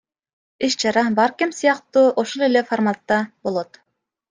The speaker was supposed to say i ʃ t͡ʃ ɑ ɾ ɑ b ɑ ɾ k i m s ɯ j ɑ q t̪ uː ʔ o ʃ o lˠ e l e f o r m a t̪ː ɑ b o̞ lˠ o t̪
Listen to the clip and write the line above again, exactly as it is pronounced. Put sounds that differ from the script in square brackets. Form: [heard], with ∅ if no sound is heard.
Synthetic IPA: i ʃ t͡ʃ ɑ ɾ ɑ b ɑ ɾ k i m s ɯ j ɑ q t̪ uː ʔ o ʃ o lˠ e l e f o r m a t̪ː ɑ b o̞ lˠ o t̪